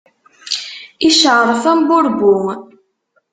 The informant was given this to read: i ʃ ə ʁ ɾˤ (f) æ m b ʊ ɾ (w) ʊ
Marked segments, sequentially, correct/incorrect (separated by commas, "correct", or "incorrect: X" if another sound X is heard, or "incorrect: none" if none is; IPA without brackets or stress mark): correct, incorrect: b